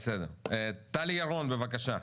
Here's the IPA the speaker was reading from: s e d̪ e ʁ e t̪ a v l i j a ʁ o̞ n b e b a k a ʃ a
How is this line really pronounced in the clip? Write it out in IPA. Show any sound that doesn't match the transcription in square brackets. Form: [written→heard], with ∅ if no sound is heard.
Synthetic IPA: s e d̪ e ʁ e t̪ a [v→∅] l i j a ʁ o̞ n b e [b→v] a k a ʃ a